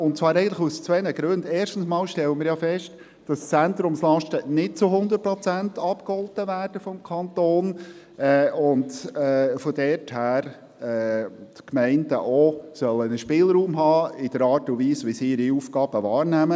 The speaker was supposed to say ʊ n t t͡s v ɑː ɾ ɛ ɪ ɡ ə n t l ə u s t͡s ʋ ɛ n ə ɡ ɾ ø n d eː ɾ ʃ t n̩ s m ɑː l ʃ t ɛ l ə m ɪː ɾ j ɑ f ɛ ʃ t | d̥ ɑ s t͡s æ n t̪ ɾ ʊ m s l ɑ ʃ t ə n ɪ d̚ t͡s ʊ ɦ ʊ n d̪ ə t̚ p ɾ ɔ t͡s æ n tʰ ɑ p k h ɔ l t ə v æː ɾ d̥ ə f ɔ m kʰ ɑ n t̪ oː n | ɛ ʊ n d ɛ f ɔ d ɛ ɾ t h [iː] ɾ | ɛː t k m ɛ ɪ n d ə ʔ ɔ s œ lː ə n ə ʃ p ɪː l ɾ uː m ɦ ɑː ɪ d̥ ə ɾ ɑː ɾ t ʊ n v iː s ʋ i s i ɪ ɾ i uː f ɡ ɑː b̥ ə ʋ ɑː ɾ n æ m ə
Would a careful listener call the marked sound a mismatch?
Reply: yes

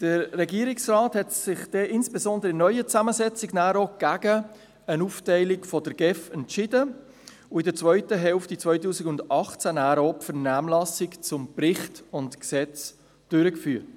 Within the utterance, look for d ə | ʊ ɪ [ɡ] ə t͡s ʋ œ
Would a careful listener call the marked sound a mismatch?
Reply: yes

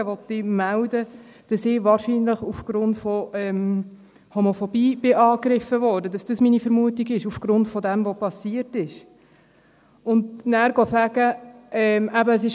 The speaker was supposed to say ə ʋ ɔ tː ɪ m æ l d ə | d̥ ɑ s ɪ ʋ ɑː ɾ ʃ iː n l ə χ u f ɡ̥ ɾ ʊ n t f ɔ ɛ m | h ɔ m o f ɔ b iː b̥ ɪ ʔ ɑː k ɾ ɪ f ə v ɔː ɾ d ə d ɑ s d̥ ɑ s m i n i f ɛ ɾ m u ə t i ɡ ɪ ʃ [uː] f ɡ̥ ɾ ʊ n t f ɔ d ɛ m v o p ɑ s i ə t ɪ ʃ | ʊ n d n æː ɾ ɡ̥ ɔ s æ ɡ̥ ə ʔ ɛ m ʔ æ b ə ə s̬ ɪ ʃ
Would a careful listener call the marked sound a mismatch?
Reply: yes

